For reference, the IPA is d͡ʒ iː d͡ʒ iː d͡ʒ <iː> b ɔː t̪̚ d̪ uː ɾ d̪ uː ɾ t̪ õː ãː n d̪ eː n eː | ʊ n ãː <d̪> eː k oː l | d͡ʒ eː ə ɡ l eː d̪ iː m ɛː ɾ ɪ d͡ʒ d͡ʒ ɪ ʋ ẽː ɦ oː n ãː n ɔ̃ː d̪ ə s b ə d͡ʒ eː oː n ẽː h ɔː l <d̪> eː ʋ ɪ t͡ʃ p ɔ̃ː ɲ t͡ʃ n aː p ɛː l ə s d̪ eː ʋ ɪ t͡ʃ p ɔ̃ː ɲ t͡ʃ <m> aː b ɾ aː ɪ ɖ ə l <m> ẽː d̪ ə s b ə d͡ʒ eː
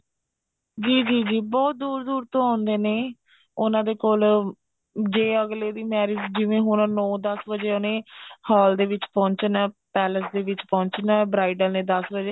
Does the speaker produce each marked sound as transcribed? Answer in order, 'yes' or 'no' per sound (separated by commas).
yes, yes, yes, no, no